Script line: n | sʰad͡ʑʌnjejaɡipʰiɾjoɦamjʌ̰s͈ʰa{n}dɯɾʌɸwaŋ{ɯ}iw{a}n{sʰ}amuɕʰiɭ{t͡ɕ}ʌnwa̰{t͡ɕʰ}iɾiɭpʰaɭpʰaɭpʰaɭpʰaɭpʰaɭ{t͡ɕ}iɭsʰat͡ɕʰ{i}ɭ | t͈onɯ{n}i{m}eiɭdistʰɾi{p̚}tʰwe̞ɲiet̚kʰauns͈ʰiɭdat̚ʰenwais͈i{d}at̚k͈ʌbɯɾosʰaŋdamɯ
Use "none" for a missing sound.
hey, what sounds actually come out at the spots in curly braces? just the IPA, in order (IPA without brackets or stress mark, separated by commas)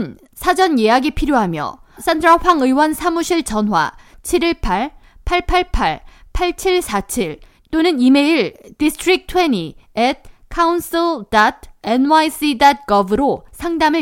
n, ɯ, ʌ, sʰ, t͡ɕ, t͡ɕʰ, t͡ɕʰ, i, n, m, k̚, d